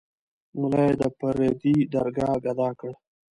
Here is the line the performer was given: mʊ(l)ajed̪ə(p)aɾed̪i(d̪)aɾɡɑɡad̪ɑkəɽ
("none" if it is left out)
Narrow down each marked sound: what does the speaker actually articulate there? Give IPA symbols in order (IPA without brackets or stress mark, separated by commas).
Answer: l, p, d̪